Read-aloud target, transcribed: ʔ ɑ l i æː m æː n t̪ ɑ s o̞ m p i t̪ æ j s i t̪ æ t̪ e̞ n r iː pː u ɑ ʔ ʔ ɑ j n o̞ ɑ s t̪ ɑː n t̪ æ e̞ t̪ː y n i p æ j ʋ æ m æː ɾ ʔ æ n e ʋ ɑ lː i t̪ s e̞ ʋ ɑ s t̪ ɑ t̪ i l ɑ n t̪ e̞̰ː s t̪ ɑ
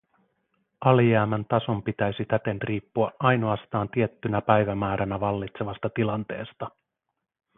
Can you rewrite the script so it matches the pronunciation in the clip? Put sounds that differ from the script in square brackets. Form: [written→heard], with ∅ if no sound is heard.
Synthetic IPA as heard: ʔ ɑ l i æː m [æː→æ] n t̪ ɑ s o̞ m p i t̪ æ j s i t̪ æ t̪ e̞ n r iː pː u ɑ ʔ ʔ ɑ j n o̞ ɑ s t̪ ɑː n t̪ [æ→i] e̞ t̪ː y n [i→æ] p æ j ʋ æ m æː ɾ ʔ æ n [e→æ] ʋ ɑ lː i t̪ s e̞ ʋ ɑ s t̪ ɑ t̪ i l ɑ n t̪ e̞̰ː s t̪ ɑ